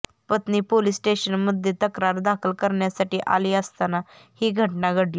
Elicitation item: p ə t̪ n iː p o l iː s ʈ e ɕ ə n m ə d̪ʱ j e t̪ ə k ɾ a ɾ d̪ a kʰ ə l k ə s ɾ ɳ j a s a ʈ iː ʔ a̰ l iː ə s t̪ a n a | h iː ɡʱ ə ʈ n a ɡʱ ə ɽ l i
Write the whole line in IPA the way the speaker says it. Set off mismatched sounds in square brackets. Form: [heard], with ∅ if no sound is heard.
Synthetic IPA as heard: p ə t̪ n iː p o l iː s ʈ e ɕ ə n m ə d̪ʱ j e t̪ ə k ɾ a ɾ d̪ a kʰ ə l k ə [∅] ɾ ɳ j a s a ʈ iː ʔ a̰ l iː ə s t̪ a n a | h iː ɡʱ ə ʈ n a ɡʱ ə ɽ l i